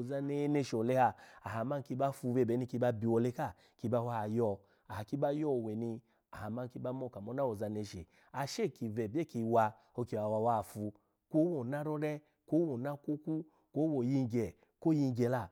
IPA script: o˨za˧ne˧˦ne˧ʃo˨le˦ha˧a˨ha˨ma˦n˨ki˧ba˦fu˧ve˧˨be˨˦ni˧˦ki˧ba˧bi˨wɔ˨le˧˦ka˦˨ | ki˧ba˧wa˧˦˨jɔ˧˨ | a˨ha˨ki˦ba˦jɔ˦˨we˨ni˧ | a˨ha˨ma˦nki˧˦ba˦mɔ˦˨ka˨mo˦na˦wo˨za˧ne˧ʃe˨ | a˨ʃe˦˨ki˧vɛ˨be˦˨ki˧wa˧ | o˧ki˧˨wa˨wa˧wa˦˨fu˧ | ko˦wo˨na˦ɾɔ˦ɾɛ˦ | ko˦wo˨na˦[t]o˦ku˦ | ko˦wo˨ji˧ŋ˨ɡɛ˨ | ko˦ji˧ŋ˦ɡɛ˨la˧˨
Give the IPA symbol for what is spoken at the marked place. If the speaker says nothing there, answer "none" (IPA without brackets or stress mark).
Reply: k